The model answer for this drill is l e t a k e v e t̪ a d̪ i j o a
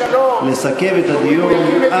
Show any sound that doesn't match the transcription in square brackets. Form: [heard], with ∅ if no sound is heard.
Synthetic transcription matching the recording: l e [s] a k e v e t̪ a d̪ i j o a